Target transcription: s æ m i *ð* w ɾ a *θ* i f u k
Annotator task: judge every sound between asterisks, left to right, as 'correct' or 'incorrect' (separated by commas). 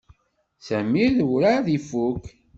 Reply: correct, incorrect